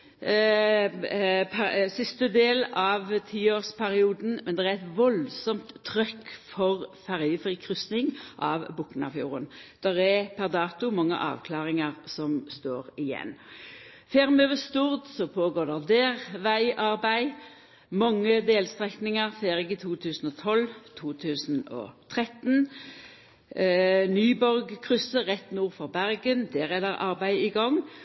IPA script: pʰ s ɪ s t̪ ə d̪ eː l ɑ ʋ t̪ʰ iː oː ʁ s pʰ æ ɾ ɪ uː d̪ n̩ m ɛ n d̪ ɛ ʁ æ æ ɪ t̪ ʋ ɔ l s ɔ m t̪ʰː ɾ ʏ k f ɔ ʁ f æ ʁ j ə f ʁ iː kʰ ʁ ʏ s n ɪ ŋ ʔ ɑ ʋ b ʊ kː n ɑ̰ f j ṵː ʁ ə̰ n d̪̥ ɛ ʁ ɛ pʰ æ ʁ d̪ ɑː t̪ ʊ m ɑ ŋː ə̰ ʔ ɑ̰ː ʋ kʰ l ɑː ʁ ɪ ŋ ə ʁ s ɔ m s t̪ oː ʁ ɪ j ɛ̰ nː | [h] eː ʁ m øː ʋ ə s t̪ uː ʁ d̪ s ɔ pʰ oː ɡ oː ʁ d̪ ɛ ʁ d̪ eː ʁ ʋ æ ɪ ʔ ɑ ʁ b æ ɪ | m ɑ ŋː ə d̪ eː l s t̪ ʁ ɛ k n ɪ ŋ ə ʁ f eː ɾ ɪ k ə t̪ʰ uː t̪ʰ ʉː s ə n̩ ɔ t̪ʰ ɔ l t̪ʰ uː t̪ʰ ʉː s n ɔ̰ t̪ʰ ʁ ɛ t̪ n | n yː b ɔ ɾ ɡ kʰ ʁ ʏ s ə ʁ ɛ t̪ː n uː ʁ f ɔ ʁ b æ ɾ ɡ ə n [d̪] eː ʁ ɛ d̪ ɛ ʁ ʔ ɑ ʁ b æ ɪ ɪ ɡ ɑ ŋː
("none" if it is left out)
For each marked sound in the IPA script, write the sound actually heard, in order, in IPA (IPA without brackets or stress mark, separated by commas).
f, d̪